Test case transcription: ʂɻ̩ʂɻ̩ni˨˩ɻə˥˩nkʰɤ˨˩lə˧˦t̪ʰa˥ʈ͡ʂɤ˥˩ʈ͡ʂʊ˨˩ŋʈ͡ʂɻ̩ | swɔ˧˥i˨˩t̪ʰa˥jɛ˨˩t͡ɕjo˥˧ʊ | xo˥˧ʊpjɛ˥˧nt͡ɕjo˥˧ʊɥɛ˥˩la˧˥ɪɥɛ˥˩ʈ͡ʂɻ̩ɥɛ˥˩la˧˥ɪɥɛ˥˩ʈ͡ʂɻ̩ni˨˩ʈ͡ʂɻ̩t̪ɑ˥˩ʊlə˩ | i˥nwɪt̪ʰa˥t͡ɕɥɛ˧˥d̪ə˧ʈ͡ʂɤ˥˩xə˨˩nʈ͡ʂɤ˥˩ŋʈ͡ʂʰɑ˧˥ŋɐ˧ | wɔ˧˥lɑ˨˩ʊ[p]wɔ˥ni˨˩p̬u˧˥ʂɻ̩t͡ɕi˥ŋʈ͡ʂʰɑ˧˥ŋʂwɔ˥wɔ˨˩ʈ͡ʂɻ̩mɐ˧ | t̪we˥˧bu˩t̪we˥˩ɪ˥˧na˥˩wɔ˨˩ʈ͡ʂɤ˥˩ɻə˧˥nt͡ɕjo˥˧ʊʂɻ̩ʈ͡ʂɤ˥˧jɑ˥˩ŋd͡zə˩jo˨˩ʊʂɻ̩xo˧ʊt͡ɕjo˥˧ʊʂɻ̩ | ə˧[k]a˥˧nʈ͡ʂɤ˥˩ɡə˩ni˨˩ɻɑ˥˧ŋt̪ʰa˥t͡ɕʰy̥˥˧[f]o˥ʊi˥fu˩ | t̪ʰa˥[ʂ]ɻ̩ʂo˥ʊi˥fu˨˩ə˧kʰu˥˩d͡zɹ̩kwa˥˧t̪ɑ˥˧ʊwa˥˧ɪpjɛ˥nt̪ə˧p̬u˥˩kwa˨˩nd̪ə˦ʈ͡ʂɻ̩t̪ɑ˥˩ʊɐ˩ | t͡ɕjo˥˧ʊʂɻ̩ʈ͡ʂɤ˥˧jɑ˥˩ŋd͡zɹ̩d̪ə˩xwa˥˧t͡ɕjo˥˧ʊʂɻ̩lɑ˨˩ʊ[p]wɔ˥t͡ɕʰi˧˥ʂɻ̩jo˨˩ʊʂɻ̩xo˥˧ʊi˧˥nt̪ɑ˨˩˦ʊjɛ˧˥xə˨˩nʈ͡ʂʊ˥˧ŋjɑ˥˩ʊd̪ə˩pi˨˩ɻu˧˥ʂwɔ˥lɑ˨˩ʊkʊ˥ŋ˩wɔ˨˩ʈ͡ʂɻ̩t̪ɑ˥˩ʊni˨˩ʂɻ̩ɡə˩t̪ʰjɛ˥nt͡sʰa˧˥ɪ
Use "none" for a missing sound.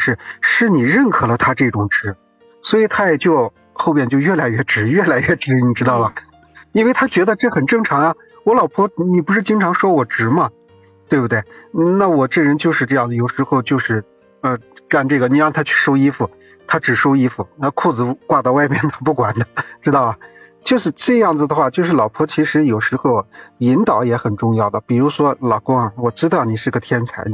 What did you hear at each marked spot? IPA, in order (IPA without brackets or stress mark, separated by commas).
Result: pʰ, k, ʂ, ʈ͡ʂ, pʰ